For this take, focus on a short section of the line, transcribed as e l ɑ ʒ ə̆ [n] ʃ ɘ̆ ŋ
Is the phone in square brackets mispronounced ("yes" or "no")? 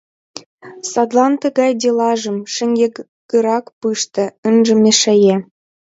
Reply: yes